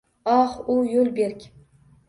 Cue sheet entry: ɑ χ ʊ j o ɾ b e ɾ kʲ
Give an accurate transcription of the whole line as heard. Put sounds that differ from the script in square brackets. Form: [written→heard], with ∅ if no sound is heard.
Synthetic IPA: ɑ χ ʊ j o [ɾ→l] b e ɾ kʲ